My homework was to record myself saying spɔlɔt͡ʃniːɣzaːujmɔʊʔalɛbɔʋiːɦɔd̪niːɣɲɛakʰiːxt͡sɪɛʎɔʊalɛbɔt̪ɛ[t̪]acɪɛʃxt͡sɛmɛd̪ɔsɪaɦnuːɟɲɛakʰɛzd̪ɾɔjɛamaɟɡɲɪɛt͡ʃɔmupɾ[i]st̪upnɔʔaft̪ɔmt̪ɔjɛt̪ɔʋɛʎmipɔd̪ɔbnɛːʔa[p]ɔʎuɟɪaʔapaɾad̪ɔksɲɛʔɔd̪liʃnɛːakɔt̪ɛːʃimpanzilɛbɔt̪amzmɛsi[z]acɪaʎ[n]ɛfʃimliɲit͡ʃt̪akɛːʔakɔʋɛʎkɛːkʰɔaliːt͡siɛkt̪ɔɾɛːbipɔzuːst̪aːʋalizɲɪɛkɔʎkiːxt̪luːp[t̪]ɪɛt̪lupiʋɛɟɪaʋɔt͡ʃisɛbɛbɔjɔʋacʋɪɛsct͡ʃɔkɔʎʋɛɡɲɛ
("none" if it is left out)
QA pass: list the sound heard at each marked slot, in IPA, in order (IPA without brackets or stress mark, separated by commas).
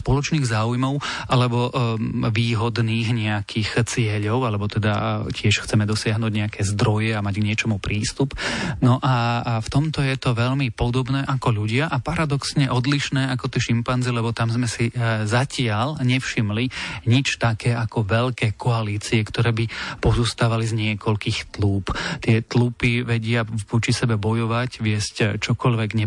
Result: d̪, iː, k, z, ɲ, t̪